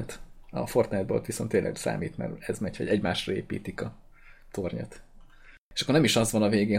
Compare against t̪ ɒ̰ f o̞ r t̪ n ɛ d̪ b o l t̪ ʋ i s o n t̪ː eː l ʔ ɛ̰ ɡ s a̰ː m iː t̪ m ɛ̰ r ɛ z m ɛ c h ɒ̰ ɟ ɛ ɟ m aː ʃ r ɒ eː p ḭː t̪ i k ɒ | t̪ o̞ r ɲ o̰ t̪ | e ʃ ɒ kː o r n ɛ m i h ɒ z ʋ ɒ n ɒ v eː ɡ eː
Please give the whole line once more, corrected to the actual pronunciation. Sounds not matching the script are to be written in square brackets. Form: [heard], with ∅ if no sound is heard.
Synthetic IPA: t̪ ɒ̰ f o̞ r t̪ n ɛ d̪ b o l t̪ ʋ i s o n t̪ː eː l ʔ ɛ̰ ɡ s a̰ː m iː t̪ m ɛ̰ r ɛ z m ɛ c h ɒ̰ ɟ ɛ ɟ m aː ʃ r ɒ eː p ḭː t̪ i k ɒ | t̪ o̞ r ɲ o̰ t̪ | e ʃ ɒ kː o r n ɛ m i [ʃ] ɒ z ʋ ɒ n ɒ v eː ɡ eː